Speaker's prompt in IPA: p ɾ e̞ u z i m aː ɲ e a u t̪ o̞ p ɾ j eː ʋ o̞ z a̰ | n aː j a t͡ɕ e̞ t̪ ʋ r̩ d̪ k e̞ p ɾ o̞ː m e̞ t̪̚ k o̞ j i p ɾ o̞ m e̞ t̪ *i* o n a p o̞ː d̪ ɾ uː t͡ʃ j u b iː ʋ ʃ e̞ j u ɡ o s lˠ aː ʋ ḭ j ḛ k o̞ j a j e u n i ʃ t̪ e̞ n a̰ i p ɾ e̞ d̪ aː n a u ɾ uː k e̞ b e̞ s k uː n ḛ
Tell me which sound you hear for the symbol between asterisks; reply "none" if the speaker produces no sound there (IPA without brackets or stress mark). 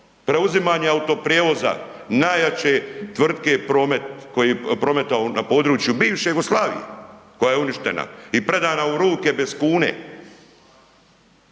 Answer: a